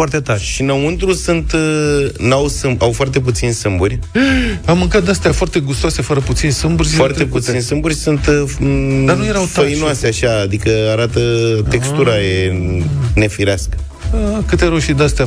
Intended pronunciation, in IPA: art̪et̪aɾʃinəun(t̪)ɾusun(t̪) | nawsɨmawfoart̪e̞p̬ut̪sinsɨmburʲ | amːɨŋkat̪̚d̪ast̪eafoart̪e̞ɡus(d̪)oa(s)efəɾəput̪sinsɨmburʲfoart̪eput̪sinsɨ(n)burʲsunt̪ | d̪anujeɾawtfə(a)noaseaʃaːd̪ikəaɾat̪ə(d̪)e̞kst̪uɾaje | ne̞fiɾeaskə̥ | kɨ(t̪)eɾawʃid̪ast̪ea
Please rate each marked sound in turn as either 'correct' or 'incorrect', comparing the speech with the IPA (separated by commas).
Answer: correct, correct, incorrect, correct, incorrect, incorrect, incorrect, correct